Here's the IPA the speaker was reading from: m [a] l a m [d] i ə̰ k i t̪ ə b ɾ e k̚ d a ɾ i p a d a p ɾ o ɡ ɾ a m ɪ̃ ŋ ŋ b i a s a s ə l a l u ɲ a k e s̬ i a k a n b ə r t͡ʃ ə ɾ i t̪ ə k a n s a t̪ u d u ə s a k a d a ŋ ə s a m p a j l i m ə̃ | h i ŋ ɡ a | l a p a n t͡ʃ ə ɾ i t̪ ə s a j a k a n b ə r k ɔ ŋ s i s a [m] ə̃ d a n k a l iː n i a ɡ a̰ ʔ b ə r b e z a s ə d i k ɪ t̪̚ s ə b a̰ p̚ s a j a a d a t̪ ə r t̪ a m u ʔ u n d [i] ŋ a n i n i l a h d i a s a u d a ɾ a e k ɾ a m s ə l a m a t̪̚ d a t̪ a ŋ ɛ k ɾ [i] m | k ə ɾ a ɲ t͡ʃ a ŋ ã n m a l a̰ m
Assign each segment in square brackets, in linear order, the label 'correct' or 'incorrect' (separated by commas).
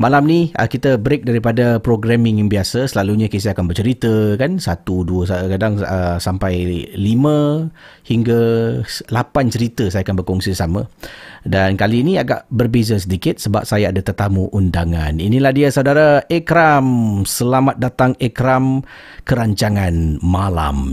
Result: correct, incorrect, correct, incorrect, incorrect